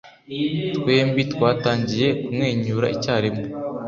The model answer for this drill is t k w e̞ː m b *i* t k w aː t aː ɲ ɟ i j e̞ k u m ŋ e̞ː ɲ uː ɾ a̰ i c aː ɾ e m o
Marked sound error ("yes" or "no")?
no